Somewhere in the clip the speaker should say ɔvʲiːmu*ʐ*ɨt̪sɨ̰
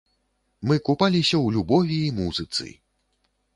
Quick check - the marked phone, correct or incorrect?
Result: incorrect